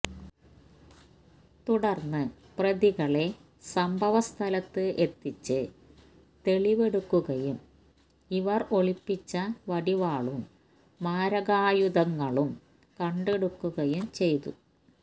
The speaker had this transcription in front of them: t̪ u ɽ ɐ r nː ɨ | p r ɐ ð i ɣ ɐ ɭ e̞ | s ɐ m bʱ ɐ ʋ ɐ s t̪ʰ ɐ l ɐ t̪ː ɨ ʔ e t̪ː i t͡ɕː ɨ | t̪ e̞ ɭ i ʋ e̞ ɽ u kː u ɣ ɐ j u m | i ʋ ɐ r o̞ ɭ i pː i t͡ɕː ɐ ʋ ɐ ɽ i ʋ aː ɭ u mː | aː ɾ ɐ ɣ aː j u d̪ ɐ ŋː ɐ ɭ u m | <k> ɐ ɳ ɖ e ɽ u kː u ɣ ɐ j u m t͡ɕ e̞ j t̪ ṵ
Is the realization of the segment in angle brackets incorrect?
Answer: no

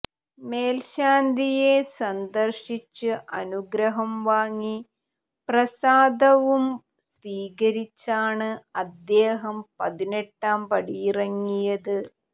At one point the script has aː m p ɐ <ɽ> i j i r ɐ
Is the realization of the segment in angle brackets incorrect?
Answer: no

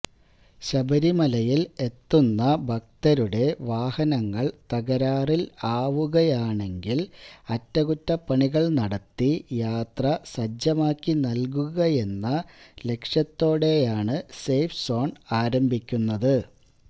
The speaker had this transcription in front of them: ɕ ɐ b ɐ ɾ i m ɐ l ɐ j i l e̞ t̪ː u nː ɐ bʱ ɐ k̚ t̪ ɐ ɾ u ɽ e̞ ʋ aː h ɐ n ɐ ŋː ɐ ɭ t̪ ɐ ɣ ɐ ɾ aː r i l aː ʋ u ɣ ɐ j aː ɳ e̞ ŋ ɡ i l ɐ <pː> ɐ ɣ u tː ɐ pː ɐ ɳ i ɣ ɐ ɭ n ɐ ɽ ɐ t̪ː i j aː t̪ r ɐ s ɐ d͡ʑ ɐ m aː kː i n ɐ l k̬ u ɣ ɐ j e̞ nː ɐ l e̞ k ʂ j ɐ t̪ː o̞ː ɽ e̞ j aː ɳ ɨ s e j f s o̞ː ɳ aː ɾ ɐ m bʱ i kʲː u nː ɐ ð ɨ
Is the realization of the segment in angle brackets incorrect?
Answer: yes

